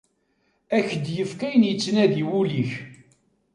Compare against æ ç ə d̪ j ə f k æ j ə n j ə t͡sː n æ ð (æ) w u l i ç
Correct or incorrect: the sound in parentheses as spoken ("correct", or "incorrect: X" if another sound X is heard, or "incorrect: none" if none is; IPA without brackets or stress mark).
incorrect: i